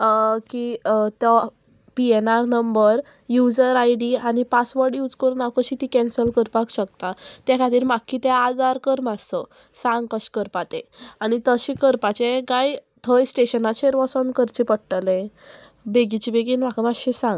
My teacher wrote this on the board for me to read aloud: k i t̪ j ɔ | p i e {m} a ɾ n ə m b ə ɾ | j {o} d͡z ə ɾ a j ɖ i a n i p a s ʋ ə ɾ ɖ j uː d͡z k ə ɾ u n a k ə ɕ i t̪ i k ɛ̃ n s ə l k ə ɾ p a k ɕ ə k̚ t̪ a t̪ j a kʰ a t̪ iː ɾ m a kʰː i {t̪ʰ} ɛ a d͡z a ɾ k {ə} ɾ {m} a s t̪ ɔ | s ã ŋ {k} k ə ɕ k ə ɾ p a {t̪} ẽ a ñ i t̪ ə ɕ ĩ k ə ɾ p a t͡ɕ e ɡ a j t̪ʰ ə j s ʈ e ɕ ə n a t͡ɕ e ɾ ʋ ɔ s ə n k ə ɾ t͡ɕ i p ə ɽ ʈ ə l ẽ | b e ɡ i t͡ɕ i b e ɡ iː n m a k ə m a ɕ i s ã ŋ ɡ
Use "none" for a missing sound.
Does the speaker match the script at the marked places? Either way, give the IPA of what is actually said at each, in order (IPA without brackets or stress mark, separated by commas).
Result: n, u, t̪, ə, m, ɡ, t̪